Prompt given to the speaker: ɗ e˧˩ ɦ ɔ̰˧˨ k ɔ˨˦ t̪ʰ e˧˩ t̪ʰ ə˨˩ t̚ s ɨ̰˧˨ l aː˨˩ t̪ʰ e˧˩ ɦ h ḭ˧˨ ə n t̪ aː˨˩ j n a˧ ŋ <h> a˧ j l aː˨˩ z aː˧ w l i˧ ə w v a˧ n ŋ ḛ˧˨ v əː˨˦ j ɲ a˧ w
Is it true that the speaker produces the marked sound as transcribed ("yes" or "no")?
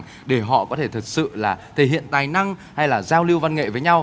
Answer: yes